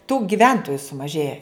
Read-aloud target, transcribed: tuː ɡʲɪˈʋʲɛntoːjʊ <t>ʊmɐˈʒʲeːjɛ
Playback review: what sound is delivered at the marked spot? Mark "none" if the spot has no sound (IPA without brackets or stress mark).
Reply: s